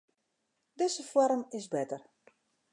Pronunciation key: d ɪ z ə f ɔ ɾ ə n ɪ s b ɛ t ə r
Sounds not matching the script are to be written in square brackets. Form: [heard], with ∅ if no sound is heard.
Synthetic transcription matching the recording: d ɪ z ə f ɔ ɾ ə [m] ɪ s b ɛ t ə r

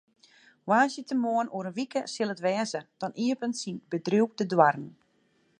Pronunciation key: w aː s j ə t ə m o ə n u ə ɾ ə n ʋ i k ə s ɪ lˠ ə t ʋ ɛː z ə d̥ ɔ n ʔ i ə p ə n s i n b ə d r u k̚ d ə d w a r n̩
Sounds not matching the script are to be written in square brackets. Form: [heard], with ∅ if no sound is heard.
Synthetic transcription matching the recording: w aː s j ə t ə m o ə n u ə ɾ ə n ʋ i k ə s ɪ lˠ ə t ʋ ɛː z ə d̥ ɔ n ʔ i ə p ə n s i n b ə d r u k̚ d ə d w a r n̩

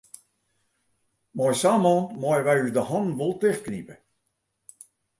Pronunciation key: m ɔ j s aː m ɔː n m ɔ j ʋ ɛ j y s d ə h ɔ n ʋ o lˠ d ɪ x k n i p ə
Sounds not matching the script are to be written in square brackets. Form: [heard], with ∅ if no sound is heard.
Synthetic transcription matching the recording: m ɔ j s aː m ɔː n m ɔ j ʋ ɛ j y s d ə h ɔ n ʋ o lˠ [t] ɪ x k n i p ə

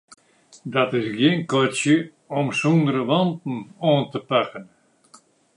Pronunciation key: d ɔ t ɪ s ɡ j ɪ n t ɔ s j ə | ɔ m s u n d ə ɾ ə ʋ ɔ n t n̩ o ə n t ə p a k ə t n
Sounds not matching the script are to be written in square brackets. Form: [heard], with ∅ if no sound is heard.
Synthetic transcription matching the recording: d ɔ t ɪ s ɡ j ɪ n [k] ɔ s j ə | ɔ m s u n d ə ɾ ə ʋ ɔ n t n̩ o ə n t ə p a k ə [∅] n

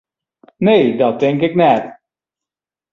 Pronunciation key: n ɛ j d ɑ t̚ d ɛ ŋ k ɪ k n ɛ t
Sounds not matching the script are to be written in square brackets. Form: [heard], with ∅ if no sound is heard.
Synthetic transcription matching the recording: n [e] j d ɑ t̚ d ɛ ŋ k ɪ k n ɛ t

